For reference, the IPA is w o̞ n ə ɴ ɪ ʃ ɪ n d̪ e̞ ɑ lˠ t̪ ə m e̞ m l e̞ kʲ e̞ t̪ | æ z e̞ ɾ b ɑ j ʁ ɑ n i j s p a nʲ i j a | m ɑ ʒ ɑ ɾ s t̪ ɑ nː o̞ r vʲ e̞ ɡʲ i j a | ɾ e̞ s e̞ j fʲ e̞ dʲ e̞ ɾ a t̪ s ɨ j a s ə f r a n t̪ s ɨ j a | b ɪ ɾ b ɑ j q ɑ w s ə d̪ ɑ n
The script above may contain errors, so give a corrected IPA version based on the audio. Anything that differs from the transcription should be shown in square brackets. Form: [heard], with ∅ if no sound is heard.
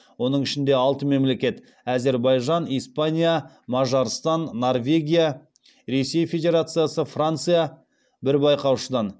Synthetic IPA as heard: w o̞ n ə ɴ ɪ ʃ ɪ n d̪ e̞ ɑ lˠ t̪ ə m e̞ m l e̞ kʲ e̞ t̪ | æ z e̞ ɾ b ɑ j [ʒ] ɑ n i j s p a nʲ i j a | m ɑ ʒ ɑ ɾ s t̪ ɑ nː o̞ r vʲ e̞ ɡʲ i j a | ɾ e̞ s e̞ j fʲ e̞ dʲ e̞ ɾ a t̪ s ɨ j a s ə f r a n t̪ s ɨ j a | b ɪ ɾ b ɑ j q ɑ w [ʃ] ə d̪ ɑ n

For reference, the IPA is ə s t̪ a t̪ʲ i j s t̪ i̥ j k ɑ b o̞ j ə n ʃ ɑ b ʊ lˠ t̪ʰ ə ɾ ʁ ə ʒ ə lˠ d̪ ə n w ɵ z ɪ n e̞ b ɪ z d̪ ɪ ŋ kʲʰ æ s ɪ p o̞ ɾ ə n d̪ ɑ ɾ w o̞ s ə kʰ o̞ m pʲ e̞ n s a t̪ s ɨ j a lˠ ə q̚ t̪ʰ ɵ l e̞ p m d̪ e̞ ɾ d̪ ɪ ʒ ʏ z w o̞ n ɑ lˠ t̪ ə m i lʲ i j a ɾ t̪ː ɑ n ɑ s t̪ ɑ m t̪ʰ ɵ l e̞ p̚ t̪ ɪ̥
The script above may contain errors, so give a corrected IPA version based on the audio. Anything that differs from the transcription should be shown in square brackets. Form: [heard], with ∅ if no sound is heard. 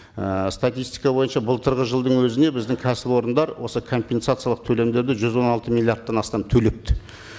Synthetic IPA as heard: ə s t̪ a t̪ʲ i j s t̪ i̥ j k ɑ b o̞ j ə n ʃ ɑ b ʊ lˠ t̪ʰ ə ɾ ʁ ə ʒ ə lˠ d̪ ə [ɴ] w ɵ z ɪ n e̞ b ɪ z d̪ ɪ ŋ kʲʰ æ s ɪ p o̞ ɾ ə n d̪ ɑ ɾ w o̞ s ə kʰ o̞ m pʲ e̞ n s a t̪ s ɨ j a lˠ ə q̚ t̪ʰ ɵ l e̞ [∅] m d̪ e̞ ɾ d̪ ɪ ʒ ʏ z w o̞ n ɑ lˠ t̪ ə m i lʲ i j a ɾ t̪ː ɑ n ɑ s t̪ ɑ m t̪ʰ ɵ l e̞ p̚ t̪ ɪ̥

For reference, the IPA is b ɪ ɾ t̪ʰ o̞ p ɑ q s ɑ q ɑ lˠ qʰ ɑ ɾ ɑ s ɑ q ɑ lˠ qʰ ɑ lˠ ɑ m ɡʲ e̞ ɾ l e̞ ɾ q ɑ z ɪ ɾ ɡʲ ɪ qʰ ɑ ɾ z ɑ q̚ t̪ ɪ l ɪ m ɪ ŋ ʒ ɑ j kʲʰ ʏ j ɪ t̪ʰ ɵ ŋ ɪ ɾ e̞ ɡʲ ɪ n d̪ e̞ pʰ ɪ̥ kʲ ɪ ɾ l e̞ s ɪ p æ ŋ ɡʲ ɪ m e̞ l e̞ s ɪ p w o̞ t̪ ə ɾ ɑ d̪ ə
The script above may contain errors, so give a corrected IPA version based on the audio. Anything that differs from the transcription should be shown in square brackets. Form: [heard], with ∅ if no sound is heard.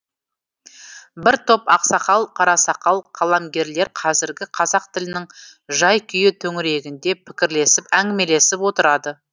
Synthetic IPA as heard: b ɪ ɾ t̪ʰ o̞ p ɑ q s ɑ q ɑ lˠ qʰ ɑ ɾ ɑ s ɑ q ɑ lˠ qʰ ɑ lˠ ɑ m ɡʲ e̞ ɾ l e̞ ɾ [qʰ] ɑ z ɪ ɾ ɡʲ ɪ qʰ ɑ [∅] z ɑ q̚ t̪ ɪ l ɪ [n] ɪ ŋ ʒ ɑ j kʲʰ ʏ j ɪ t̪ʰ ɵ ŋ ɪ ɾ e̞ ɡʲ ɪ n d̪ e̞ pʰ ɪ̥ kʲ ɪ ɾ l e̞ s ɪ p æ ŋ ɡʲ ɪ m e̞ l e̞ s ɪ p w o̞ t̪ ə ɾ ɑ d̪ ə

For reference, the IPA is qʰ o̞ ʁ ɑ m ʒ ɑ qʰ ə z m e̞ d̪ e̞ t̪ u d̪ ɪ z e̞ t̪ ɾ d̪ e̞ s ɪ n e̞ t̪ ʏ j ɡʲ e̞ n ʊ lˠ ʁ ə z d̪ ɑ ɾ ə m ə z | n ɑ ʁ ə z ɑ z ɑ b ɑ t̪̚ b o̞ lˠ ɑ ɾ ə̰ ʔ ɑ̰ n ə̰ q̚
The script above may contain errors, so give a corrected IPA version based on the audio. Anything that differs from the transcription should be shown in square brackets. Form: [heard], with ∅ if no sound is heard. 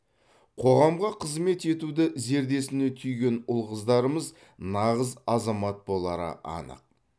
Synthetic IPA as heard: qʰ o̞ ʁ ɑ m [ʁ] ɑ qʰ ə z m e̞ [t̪] e̞ t̪ u d̪ ɪ z e̞ [∅] ɾ d̪ e̞ s ɪ n e̞ [t̪ʰ] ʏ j ɡʲ e̞ n ʊ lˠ ʁ ə z d̪ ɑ ɾ ə m ə z | n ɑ ʁ ə z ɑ z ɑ [m] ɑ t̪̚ b o̞ lˠ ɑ ɾ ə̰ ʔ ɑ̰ n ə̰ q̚

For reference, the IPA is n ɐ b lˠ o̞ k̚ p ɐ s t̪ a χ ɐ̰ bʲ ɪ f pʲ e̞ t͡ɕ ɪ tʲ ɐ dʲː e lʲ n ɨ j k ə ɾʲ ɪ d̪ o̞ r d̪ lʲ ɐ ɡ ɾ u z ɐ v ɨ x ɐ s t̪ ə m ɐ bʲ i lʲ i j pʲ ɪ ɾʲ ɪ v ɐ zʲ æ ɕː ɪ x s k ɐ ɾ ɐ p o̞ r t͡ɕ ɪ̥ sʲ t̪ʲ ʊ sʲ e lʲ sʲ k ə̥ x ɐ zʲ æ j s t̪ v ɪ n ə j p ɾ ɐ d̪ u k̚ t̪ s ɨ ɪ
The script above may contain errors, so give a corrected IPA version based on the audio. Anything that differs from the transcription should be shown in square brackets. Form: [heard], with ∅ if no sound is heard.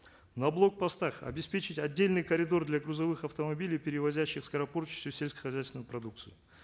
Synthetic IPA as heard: n ɐ b lˠ o̞ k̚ p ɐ s t̪ a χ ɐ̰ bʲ ɪ [s] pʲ e̞ t͡ɕ ɪ tʲ ɐ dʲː e lʲ n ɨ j k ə ɾʲ ɪ d̪ o̞ r d̪ lʲ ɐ ɡ ɾ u z ɐ v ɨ x ɐ [f] t̪ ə m ɐ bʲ i lʲ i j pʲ ɪ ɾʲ ɪ v ɐ zʲ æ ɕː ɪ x s k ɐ ɾ ɐ p o̞ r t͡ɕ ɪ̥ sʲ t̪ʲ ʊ sʲ e lʲ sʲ k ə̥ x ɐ zʲ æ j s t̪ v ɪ n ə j p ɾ ɐ d̪ u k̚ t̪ s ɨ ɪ

